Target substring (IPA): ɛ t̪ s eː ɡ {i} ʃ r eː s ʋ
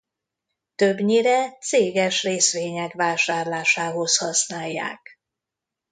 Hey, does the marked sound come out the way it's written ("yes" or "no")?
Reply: no